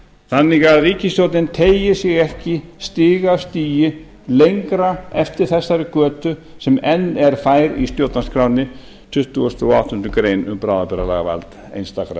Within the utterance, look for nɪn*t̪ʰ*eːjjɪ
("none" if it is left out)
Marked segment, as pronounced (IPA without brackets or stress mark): t̪ʰ